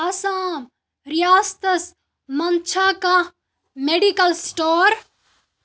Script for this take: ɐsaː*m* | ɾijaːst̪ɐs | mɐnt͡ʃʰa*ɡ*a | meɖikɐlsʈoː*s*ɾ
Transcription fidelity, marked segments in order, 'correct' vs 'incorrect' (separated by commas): correct, incorrect, incorrect